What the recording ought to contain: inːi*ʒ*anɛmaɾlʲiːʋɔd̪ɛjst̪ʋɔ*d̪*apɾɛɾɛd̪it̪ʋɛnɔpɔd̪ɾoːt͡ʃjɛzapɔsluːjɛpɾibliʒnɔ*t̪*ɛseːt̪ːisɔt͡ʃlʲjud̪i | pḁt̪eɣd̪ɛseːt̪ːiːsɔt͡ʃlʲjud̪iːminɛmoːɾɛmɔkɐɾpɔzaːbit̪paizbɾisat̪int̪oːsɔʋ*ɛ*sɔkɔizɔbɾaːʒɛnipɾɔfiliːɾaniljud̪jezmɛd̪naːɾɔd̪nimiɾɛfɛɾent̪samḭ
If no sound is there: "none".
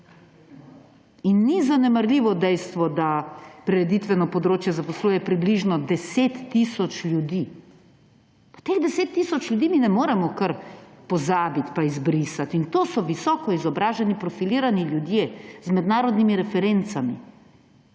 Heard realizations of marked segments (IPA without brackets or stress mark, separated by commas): z, d̪, d̪, i